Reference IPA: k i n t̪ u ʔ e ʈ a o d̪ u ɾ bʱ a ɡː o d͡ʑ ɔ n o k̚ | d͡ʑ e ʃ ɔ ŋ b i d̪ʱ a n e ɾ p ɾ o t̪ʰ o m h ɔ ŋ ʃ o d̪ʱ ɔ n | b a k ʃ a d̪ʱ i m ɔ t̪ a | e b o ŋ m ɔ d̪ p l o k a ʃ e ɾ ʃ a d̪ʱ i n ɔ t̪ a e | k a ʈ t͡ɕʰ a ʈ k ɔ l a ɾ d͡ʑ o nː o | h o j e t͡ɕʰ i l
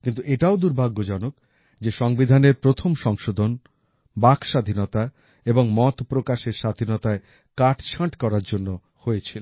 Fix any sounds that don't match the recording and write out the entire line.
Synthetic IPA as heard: k i n t̪ u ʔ e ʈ a o d̪ u ɾ bʱ a ɡː o d͡ʑ ɔ n o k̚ | d͡ʑ e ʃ ɔ ŋ b i d̪ʱ a n e ɾ p ɾ o t̪ʰ o m ʃ ɔ ŋ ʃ o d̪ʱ o n | b a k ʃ a d̪ʱ i n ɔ t̪ a | e b o ŋ m ɔ t̪ p ɾ o k a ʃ e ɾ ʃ a d̪ʱ i n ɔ t̪ a e | k a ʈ t͡ɕʰ a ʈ k ɔ ɾ a ɾ d͡ʑ o nː o | h o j e t͡ɕʰ i l